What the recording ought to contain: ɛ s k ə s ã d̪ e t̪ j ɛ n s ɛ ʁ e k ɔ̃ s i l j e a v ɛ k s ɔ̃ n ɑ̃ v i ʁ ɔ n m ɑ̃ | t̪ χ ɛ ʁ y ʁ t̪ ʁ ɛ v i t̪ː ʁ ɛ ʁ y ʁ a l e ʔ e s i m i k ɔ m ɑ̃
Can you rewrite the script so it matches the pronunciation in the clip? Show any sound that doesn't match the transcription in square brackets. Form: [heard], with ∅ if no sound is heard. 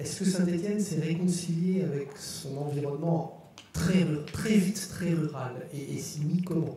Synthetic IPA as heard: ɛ s k ə s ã d̪ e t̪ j ɛ n s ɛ ʁ e k ɔ̃ s i l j e a v ɛ k s ɔ̃ n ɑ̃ v i ʁ ɔ n m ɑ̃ | t̪ χ ɛ ʁ y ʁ t̪ [χ] ɛ v i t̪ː [χ] ɛ ʁ y ʁ a l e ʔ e s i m i k ɔ m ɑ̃